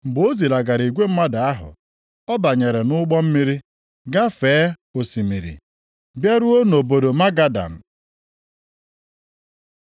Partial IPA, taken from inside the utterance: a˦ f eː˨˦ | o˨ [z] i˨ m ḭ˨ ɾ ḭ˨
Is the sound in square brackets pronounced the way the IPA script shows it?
no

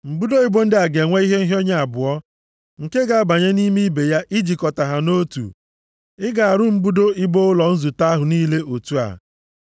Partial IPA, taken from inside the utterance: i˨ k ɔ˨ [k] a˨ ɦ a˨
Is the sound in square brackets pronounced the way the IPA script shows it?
no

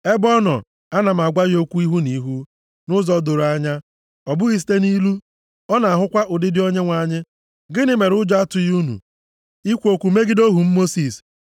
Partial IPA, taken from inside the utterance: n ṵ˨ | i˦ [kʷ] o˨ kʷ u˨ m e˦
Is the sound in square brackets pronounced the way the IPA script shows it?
yes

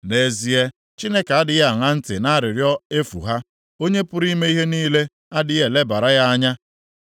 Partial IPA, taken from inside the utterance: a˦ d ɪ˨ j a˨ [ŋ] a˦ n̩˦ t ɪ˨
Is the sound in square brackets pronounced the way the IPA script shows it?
yes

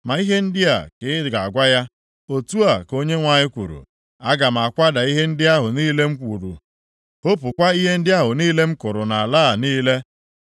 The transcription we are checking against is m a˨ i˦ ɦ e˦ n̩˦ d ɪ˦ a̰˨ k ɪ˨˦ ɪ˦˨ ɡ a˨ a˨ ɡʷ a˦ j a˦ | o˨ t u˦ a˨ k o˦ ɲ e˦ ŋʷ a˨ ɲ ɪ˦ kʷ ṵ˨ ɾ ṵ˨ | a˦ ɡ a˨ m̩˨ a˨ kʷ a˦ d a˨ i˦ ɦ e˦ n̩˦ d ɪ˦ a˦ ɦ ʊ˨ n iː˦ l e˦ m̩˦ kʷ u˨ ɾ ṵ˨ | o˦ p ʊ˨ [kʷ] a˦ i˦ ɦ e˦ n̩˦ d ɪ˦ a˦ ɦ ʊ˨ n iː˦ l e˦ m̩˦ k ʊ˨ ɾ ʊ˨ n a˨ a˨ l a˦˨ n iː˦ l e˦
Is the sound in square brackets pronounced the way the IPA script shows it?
yes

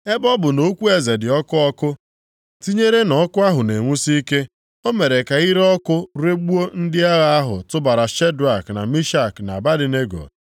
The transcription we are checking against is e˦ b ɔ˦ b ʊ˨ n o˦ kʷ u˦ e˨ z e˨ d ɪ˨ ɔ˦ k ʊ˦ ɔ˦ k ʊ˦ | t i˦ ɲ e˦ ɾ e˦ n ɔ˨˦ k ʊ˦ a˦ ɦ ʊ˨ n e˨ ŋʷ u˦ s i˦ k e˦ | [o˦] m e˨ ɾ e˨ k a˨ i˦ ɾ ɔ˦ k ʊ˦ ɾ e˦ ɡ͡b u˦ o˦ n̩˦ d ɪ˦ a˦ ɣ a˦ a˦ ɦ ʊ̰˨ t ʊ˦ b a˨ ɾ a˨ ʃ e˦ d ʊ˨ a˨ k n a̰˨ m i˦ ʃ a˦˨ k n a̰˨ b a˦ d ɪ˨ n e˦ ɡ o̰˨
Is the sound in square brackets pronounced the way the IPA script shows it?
yes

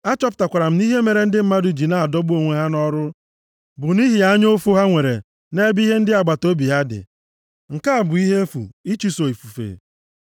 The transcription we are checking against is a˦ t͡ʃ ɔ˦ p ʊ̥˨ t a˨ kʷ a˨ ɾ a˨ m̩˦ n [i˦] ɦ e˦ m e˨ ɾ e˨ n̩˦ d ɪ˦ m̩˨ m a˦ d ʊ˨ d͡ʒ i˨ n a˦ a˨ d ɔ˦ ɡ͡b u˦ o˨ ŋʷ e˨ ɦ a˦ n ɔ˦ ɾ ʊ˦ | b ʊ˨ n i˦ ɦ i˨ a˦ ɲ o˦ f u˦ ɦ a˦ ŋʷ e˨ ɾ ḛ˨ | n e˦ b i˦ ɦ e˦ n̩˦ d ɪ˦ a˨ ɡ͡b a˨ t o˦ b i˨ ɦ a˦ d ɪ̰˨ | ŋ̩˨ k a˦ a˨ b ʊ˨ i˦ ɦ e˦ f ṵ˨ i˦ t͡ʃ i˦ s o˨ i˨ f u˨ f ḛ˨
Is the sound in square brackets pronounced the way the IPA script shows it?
yes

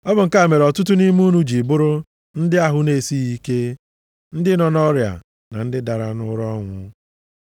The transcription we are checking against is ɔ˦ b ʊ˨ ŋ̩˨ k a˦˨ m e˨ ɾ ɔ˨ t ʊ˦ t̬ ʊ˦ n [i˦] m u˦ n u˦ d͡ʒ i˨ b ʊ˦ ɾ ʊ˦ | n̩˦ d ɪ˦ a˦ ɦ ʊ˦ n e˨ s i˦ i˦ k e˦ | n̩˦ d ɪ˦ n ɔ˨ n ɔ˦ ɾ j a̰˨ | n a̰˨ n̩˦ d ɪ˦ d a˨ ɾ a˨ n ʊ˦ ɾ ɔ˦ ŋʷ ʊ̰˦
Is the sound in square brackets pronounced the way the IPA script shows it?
yes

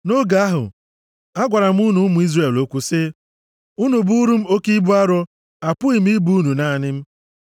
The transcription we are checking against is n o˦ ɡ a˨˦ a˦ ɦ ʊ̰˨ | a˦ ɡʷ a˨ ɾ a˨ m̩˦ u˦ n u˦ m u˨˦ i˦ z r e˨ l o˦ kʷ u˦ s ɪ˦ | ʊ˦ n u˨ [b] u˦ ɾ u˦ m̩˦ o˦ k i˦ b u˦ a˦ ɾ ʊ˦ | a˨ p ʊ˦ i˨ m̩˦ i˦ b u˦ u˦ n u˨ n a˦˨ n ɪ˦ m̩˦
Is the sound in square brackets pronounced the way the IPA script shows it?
yes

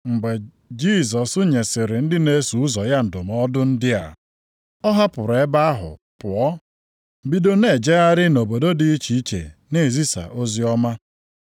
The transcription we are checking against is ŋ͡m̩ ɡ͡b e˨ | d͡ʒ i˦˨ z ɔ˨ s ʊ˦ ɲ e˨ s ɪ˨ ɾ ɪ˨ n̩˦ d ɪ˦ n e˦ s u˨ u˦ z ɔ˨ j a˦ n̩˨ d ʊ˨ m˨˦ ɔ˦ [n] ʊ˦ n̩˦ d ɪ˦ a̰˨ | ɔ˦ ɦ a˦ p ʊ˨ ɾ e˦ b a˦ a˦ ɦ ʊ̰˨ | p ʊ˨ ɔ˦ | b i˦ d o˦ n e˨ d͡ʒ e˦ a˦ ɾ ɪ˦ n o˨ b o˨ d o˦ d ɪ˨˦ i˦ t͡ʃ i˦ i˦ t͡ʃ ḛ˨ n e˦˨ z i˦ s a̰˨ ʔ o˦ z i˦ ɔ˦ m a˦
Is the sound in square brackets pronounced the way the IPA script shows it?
no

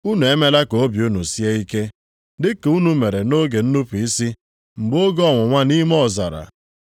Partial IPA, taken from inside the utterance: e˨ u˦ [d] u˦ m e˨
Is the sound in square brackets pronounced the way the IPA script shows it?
no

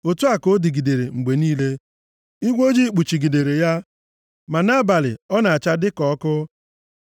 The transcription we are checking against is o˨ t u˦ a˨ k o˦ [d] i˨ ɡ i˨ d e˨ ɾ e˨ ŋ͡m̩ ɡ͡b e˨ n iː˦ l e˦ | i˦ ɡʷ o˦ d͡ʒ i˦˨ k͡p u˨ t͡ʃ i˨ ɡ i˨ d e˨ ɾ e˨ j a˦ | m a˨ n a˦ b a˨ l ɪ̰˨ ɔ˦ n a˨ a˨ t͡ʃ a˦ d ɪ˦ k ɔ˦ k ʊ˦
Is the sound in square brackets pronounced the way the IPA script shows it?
yes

